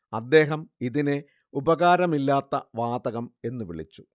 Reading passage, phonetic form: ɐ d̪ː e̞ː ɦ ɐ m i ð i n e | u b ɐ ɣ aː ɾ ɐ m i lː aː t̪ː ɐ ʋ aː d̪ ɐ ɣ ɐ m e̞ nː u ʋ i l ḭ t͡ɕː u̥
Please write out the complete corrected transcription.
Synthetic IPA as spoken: ɐ d̪ː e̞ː ɦ ɐ m i ð i n e | u b ɐ ɣ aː ɾ ɐ m i lː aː t̪ː ɐ ʋ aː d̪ ɐ ɣ ɐ m e̞ nː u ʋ i ɭ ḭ t͡ɕː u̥